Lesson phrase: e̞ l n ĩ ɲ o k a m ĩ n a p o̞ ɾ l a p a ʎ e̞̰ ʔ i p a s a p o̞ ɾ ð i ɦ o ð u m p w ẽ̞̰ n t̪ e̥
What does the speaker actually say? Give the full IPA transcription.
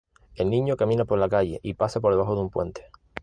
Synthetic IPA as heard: e̞ l n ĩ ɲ o k a m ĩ n a p o̞ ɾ l a k a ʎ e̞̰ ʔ i p a s a p o̞ ɾ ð a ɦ o ð u m p w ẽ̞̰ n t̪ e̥